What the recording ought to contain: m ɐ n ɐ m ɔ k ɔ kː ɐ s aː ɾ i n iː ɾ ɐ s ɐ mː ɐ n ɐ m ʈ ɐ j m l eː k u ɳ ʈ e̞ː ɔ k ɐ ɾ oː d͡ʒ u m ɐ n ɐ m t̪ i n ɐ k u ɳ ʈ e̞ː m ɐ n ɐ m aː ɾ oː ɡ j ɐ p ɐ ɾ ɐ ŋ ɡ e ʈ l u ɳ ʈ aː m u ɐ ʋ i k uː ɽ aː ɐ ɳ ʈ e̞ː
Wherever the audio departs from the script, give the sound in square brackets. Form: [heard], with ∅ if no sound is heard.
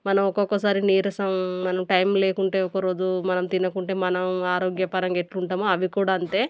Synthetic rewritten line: m ɐ n ɐ m ɔ k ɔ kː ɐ s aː ɾ i n iː ɾ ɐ s ɐ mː ɐ n ɐ m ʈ ɐ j m l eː k u ɳ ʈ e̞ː ɔ k ɐ ɾ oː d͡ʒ u m ɐ n ɐ m t̪ i n ɐ k u ɳ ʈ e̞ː m ɐ n ɐ m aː ɾ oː ɡ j ɐ p ɐ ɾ ɐ ŋ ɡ e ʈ l u ɳ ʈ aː m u ɐ ʋ i k uː ɽ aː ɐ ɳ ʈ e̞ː

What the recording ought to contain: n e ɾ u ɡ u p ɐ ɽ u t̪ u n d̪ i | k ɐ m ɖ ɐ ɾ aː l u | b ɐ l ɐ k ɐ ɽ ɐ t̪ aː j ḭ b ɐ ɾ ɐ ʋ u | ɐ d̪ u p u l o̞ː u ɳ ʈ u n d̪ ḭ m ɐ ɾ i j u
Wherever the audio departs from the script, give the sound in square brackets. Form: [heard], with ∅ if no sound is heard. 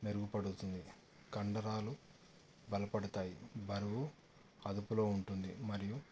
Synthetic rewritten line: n e ɾ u ɡ u p ɐ ɽ u t̪ u n d̪ i | k ɐ [ɳ] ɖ ɐ ɾ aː l u | b ɐ l ɐ [p] ɐ ɽ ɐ t̪ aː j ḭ b ɐ ɾ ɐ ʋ u | ɐ d̪ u p u l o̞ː u ɳ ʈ u n d̪ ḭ m ɐ ɾ i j u

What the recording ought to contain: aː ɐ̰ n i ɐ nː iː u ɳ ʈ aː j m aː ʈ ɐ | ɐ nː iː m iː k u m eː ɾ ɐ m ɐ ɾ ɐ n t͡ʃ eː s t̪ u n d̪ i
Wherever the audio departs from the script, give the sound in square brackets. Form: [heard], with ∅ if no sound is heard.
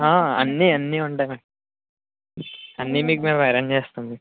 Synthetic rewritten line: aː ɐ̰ [nː] i ɐ nː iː u ɳ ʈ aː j m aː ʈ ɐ | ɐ nː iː m iː k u m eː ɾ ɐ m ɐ ɾ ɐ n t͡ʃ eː s t̪ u n d̪ i

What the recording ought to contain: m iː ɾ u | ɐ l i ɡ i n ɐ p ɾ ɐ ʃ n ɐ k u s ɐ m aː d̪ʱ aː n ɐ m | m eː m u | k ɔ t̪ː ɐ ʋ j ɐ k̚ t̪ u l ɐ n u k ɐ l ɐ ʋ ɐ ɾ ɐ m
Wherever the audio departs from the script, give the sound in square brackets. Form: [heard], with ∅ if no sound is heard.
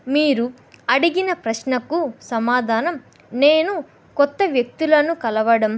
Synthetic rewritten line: m iː ɾ u | ɐ [ɽ] i ɡ i n ɐ p ɾ ɐ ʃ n ɐ k u s ɐ m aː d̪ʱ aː n ɐ m | [n] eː [n] u | k ɔ t̪ː ɐ ʋ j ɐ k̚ t̪ u l ɐ n u k ɐ l ɐ ʋ ɐ [ɽ] ɐ m

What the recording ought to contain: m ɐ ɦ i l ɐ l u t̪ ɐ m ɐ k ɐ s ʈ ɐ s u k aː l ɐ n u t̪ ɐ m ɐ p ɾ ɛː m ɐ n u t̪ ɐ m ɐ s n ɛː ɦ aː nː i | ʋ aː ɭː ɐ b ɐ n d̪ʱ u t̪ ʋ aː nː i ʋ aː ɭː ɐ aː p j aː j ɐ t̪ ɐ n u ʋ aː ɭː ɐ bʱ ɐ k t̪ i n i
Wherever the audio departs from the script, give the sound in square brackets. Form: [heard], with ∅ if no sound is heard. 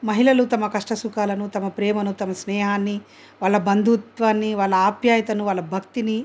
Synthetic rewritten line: m ɐ ɦ i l ɐ l u t̪ ɐ m ɐ k ɐ [ʂ] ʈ ɐ s u k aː l ɐ n u t̪ ɐ m ɐ p ɾ ɛː m ɐ n u t̪ ɐ m ɐ s n ɛː ɦ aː nː i | ʋ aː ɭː ɐ b ɐ n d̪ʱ u t̪ ʋ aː nː i ʋ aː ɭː ɐ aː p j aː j ɐ t̪ ɐ n u ʋ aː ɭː ɐ bʱ ɐ k t̪ i n i

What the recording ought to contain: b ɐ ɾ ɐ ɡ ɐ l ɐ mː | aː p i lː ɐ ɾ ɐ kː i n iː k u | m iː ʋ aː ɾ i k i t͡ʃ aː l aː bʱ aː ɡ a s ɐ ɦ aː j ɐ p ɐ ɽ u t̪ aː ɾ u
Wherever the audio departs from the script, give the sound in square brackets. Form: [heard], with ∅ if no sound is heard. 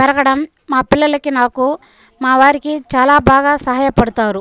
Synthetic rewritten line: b ɐ ɾ ɐ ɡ ɐ [ɽ] ɐ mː | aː p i lː ɐ [l] ɐ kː i n [aː] k u | m [aː] ʋ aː ɾ i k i t͡ʃ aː l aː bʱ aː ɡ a s ɐ ɦ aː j ɐ p ɐ ɽ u t̪ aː ɾ u

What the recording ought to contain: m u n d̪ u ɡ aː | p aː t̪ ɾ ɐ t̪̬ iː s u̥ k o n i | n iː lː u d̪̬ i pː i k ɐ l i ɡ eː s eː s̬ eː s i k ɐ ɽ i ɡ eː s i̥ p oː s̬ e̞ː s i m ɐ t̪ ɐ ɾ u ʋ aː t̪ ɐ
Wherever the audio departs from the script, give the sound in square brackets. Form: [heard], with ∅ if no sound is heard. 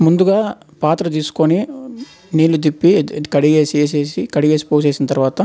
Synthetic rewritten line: m u n d̪ u ɡ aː | p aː t̪ ɾ ɐ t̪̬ iː s u̥ k o n i | n iː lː u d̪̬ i pː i k ɐ [ɽ] i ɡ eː s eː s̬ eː s i k ɐ ɽ i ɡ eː s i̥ p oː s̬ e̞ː s i [n] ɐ t̪ ɐ ɾ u ʋ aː t̪ ɐ

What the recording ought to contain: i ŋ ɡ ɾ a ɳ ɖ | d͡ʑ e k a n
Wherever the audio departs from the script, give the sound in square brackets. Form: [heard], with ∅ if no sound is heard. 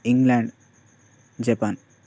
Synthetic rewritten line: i ŋ ɡ [l] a ɳ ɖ | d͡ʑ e [p] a n

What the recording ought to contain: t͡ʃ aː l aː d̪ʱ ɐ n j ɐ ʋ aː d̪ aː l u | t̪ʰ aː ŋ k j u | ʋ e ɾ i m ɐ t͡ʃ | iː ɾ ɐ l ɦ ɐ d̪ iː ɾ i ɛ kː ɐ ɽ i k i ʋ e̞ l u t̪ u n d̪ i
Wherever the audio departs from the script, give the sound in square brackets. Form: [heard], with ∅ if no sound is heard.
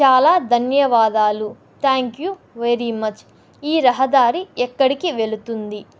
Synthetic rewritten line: t͡ʃ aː l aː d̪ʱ ɐ n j ɐ ʋ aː d̪ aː l u | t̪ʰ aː ŋ k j u | ʋ e ɾ i m ɐ t͡ʃ | iː ɾ ɐ [∅] ɦ ɐ d̪ [aː] ɾ i ɛ kː ɐ ɽ i k i ʋ e̞ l u t̪ u n d̪ i

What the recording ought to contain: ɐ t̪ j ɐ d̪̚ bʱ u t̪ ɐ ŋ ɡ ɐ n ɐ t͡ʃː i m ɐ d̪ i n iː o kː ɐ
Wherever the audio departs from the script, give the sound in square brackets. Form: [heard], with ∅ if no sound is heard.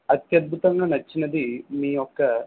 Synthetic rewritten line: ɐ t̪ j ɐ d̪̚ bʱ u t̪ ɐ ŋ ɡ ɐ n ɐ t͡ʃː i [n] ɐ d̪ i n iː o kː ɐ

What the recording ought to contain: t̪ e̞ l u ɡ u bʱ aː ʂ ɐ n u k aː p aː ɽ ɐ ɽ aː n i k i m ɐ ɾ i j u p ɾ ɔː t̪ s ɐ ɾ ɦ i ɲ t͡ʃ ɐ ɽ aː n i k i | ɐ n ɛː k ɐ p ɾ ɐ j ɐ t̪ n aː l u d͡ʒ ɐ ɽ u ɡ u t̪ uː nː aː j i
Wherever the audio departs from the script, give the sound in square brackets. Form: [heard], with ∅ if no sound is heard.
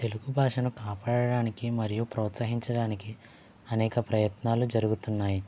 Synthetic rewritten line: t̪ e̞ l u ɡ u bʱ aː ʂ ɐ n u k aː p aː ɽ ɐ ɽ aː n i k i m ɐ ɾ i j u p ɾ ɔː t̪ s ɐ [∅] ɦ i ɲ t͡ʃ ɐ ɽ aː n i k i | ɐ n ɛː k ɐ p ɾ ɐ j ɐ t̪ n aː l u d͡ʒ ɐ [ɾ] u ɡ u t̪ [u] nː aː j i

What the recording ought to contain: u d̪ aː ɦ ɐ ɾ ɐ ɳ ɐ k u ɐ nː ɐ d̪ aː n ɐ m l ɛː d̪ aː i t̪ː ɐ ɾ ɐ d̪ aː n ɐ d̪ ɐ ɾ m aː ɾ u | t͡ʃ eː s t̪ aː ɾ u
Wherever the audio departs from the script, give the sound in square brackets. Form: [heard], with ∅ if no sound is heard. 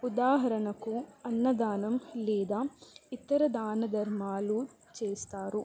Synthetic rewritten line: u d̪ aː ɦ ɐ ɾ ɐ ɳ ɐ k u ɐ nː ɐ d̪ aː n ɐ m l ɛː d̪ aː i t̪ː ɐ ɾ ɐ d̪ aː n ɐ d̪ ɐ ɾ m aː [l] u | t͡ʃ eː s t̪ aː ɾ u

